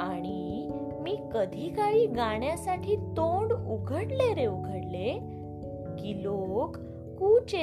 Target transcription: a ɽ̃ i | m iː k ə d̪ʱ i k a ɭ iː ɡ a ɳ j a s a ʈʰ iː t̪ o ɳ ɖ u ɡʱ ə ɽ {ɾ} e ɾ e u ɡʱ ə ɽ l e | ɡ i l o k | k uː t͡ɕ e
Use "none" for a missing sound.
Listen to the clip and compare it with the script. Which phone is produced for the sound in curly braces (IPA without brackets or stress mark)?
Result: l